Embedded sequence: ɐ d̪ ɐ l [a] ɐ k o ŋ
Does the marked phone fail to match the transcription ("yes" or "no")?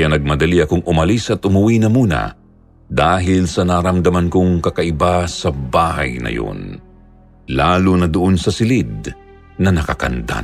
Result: yes